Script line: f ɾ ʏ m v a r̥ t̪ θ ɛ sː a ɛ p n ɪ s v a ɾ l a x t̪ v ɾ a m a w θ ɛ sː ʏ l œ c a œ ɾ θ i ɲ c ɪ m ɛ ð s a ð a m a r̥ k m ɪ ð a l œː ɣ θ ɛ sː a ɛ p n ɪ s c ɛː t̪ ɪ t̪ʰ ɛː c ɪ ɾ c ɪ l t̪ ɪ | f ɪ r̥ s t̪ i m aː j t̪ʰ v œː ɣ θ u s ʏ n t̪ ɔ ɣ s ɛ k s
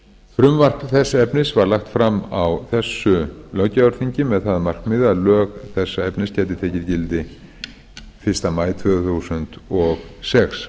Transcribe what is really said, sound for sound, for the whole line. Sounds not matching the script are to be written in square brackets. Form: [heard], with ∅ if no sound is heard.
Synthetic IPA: f ɾ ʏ m v a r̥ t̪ θ ɛ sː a ɛ p n ɪ s v a ɾ l a x t̪ [f] ɾ a m a w θ ɛ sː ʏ l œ c a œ ɾ θ i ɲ c ɪ m ɛ ð [θ] a ð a m a r̥ k m ɪ ð a l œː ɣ θ ɛ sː a ɛ p n ɪ s c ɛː t̪ ɪ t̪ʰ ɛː c ɪ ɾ c ɪ l t̪ ɪ | f ɪ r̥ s t̪ [a] m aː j t̪ʰ v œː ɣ θ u s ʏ n t̪ ɔ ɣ s ɛ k s